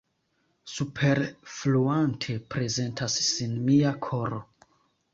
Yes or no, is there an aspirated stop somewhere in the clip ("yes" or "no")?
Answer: yes